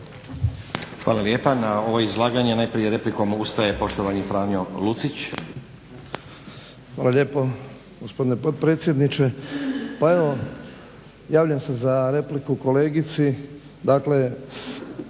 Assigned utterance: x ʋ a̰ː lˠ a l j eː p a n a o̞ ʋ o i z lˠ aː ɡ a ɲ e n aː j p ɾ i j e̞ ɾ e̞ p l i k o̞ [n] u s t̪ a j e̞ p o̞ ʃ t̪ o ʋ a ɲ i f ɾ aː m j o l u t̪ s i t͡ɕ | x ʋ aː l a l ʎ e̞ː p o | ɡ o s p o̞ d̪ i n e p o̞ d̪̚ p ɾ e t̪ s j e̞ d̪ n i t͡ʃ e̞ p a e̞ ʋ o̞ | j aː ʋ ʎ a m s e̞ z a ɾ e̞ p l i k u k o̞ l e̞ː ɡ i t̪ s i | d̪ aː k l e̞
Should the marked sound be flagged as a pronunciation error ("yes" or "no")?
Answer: yes